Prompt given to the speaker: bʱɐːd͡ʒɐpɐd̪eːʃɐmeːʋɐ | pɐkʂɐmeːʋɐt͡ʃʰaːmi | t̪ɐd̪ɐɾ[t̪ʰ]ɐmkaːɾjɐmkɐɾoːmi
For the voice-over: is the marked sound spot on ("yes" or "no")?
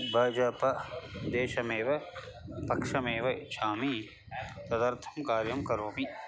yes